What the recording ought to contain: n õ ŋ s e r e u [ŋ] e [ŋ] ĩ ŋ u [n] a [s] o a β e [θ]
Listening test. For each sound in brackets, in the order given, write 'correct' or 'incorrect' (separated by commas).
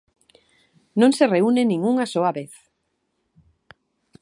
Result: incorrect, incorrect, incorrect, correct, correct